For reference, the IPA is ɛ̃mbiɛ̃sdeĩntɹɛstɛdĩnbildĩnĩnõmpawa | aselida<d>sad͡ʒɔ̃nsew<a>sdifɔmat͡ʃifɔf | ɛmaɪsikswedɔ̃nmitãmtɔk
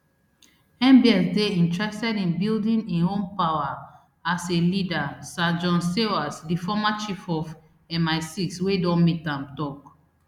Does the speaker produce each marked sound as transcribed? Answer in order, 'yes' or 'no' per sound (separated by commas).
no, yes